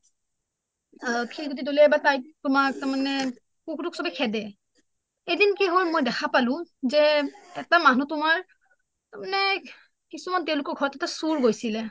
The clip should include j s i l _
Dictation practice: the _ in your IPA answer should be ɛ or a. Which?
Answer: ɛ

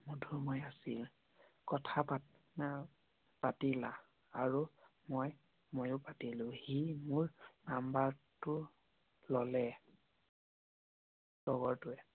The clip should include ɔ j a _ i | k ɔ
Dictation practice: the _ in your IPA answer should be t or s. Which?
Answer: s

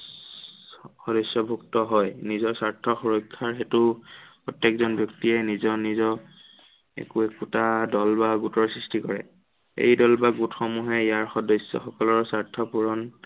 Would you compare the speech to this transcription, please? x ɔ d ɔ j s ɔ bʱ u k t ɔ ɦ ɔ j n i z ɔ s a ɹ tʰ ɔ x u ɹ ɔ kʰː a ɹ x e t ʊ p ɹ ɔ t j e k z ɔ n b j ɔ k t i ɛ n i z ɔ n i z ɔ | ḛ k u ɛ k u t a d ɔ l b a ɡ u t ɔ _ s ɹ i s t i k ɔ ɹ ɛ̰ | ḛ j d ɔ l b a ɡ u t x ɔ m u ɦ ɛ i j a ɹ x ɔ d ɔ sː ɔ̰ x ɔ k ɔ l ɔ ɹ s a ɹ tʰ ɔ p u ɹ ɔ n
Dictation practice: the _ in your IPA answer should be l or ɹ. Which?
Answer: ɹ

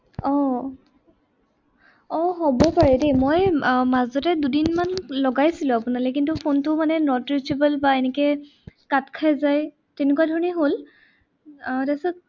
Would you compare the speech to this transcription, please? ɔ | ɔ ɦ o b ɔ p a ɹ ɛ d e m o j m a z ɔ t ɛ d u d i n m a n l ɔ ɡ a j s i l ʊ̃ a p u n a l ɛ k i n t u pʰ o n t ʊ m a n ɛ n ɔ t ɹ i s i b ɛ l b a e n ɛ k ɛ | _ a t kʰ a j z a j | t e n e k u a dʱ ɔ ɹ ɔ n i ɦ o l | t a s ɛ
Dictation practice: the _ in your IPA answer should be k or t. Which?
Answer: k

